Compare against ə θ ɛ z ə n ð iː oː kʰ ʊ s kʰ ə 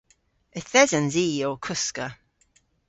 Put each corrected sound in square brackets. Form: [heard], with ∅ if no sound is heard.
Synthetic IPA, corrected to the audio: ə θ ɛ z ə n [z] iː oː kʰ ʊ s [k] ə

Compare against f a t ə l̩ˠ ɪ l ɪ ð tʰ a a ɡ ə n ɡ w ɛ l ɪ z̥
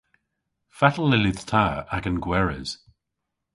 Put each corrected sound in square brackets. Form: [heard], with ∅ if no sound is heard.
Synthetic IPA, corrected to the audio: f a t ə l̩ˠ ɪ l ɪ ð tʰ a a ɡ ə n ɡ w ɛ [ɹ] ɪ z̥

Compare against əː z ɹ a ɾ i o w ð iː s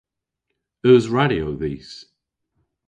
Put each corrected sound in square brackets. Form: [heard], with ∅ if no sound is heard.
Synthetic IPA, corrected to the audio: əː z ɹ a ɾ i o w ð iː s

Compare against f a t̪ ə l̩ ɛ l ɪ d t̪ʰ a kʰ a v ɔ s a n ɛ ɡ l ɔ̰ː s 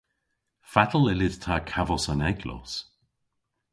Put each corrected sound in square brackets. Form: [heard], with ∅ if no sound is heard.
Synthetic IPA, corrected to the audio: f a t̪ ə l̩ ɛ l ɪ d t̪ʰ a kʰ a v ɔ s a n ɛ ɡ l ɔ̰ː s

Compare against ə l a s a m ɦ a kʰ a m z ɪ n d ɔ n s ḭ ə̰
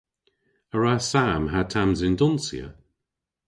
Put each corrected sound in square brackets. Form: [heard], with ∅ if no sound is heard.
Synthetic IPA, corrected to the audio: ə [ɹ] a s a m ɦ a [tʰ] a m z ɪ n d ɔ n s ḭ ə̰

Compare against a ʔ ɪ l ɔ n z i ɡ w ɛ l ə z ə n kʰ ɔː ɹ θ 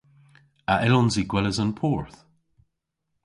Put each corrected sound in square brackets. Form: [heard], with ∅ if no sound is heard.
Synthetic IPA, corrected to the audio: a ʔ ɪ l ɔ n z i ɡ w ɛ l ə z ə n [pʰ] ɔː ɹ θ

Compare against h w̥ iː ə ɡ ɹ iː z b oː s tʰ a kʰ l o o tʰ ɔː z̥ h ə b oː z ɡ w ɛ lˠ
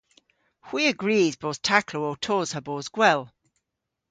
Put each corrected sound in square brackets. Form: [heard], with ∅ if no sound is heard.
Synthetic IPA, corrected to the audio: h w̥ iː ə ɡ ɹ iː z b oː [θ] tʰ a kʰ l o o tʰ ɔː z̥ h ə b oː z ɡ w ɛ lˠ

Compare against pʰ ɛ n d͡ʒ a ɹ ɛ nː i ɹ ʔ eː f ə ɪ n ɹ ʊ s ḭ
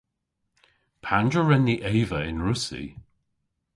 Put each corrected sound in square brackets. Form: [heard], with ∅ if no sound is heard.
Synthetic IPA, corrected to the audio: pʰ [a] n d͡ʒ [ə] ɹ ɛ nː i [∅] ʔ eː [v] ə ɪ n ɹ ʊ s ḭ

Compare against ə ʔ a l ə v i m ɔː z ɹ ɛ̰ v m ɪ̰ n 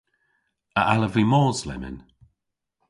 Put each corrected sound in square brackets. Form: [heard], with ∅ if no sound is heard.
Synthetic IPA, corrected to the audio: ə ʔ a l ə v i m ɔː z [l] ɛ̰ [∅] m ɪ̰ n

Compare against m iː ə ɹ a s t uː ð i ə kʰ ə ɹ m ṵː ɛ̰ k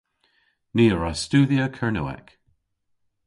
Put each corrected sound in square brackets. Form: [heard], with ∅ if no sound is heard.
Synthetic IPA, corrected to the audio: [n] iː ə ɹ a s t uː ð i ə kʰ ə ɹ [n] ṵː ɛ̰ k

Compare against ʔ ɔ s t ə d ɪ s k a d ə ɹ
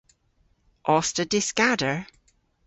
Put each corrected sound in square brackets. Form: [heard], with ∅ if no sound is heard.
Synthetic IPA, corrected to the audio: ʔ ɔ s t ə d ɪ s k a d ə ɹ

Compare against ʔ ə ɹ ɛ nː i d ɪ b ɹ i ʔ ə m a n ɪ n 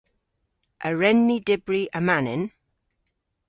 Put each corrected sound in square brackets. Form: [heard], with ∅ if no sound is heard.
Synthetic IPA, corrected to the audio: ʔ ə ɹ ɛ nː i d ɪ b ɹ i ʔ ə m a n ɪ n

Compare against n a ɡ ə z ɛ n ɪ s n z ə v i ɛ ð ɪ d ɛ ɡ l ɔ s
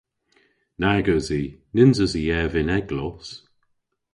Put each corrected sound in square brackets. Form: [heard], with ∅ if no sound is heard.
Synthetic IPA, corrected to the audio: n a ɡ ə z [i] n ɪ [∅] n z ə [z] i ɛ [v] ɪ [n] ɛ ɡ l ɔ s

